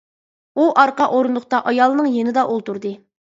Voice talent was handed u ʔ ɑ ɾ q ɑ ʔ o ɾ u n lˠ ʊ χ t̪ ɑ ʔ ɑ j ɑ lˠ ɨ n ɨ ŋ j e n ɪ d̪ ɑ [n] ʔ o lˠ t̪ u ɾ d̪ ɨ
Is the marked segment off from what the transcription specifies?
yes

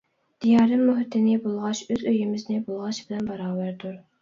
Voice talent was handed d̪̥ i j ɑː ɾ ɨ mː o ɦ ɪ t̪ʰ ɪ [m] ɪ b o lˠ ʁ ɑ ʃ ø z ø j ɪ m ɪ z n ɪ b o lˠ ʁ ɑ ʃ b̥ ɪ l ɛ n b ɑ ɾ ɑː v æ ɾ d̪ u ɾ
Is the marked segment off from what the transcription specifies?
yes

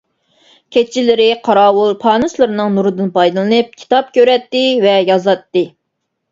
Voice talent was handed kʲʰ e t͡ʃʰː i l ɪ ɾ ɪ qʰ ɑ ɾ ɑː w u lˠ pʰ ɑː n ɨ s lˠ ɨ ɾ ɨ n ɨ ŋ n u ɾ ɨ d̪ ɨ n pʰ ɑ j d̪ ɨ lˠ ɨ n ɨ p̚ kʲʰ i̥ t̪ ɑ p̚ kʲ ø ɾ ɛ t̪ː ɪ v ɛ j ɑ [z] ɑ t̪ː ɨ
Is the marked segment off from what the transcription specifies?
no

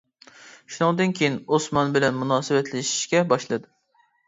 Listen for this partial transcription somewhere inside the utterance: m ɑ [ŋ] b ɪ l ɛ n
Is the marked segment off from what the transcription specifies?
yes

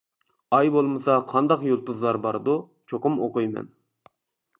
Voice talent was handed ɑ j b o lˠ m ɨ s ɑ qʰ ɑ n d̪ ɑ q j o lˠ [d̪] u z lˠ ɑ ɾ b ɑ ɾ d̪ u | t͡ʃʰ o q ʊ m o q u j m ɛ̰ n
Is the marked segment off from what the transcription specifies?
yes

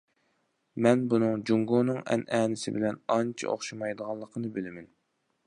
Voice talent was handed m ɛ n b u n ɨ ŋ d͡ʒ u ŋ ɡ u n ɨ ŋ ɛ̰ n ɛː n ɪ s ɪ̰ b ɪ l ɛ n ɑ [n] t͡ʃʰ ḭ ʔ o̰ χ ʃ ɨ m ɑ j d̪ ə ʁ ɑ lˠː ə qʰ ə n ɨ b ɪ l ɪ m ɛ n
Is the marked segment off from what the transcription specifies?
no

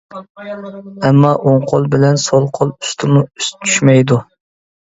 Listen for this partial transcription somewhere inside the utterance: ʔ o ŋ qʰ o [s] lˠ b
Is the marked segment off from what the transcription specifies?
yes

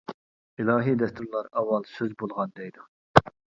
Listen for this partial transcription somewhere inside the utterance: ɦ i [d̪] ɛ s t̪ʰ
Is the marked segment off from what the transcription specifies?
no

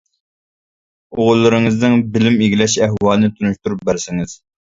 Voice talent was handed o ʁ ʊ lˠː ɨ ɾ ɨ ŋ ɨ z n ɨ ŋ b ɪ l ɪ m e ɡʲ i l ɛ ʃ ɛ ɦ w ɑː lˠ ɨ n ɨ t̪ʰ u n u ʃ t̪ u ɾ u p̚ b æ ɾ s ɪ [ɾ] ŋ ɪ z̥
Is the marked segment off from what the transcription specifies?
yes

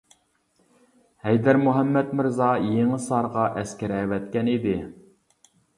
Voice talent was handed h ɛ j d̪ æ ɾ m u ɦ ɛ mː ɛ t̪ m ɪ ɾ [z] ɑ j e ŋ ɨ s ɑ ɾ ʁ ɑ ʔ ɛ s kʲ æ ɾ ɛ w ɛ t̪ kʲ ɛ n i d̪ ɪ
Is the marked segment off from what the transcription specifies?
no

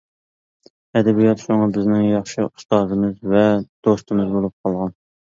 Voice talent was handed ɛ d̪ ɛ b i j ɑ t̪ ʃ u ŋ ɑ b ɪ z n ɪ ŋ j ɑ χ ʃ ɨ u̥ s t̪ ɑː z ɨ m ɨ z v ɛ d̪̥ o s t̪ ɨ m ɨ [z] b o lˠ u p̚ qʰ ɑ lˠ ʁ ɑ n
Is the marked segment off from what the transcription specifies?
no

